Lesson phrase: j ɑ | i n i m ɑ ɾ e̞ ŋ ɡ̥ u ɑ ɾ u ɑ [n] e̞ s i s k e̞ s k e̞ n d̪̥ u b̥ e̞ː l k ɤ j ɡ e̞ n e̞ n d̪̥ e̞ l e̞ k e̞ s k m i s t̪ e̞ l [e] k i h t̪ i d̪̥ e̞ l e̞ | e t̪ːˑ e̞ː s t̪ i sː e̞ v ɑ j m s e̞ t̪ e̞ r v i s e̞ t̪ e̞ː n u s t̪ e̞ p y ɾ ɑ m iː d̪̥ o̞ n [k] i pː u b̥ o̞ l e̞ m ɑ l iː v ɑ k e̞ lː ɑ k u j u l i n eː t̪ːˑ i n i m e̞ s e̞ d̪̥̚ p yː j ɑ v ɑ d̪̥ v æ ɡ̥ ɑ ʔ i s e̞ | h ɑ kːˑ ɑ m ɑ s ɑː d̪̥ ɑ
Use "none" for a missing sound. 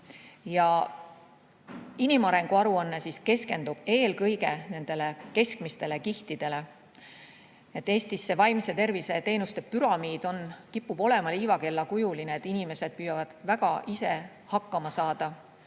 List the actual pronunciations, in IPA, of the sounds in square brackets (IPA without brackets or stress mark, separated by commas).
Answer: nː, e, k